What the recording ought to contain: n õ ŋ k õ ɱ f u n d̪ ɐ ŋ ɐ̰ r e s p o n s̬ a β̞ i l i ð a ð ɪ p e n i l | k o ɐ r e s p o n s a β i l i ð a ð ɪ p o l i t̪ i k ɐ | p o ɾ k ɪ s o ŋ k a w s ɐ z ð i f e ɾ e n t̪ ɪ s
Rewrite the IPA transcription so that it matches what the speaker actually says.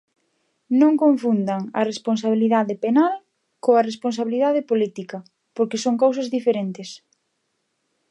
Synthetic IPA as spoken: n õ ŋ k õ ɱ f u n d̪ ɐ ŋ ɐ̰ r e s p o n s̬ a β̞ i l i ð a ð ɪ p e n a l | k o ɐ r e s p o n s a β i l i ð a ð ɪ p o l i t̪ i k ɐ | p o ɾ k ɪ s o ŋ k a w s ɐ z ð i f e ɾ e n t̪ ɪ s